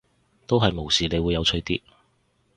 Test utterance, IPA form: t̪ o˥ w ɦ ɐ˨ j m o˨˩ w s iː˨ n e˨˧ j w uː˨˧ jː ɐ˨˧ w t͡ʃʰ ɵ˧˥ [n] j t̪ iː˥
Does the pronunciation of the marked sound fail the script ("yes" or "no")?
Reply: yes